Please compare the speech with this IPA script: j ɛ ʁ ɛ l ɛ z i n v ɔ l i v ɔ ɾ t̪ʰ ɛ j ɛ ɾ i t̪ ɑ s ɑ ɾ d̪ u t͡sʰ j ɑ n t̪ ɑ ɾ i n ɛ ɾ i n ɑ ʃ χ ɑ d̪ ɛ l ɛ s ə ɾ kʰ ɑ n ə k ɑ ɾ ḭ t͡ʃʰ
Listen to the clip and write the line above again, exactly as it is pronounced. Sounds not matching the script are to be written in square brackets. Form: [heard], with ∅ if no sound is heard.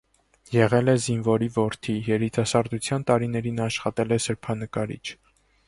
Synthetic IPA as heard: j ɛ ʁ ɛ l ɛ z i n v ɔ [ɾ] i v ɔ ɾ t̪ʰ [i] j ɛ ɾ i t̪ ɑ s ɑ ɾ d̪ u t͡sʰ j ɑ n t̪ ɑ ɾ i n ɛ ɾ i n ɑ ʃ χ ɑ [t̪] ɛ l ɛ s ə ɾ [pʰ] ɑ n ə k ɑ ɾ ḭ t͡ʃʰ